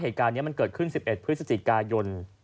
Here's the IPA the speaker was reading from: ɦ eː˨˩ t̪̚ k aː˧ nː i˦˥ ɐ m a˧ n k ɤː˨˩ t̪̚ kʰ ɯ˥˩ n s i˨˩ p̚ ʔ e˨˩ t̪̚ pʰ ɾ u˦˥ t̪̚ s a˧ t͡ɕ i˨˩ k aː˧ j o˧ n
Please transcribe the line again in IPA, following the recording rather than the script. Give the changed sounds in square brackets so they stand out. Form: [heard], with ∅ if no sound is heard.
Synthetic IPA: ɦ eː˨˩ t̪̚ k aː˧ nː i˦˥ ɐ m a˧ n k ɤː˨˩ t̪̚ kʰ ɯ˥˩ n s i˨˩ p̚ ʔ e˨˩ t̪̚ pʰ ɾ [ɯ˦˥] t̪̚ s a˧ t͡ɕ i˨˩ k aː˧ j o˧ n